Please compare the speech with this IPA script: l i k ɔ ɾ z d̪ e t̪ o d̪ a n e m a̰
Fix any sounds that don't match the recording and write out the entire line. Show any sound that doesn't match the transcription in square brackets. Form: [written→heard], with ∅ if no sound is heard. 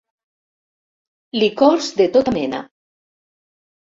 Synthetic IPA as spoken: l i k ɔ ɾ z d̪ e t̪ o [d̪→t̪] a [n→m] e [m→n] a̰